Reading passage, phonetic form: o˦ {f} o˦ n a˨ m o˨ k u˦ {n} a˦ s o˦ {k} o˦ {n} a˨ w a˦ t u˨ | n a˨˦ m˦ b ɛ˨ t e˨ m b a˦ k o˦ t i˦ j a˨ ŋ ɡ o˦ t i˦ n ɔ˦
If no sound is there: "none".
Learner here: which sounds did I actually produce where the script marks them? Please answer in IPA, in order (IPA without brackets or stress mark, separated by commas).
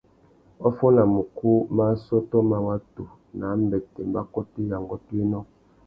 f, m, t, m